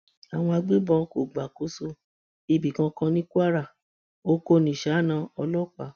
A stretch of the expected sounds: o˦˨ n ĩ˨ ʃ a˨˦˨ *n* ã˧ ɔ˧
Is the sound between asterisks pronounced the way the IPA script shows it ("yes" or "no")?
yes